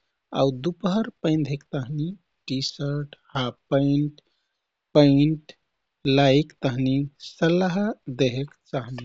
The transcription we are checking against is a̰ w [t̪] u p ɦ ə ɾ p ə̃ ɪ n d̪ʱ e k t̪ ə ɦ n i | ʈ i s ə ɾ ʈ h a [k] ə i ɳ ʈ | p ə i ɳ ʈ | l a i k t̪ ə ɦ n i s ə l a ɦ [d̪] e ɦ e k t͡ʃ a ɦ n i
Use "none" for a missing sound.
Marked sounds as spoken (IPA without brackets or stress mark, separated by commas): d̪, p, d̪